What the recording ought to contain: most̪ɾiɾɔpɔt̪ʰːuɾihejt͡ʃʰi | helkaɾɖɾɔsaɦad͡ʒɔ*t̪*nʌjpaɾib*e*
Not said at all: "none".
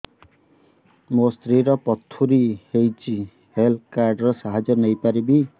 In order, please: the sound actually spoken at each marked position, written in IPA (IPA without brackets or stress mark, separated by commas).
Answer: none, i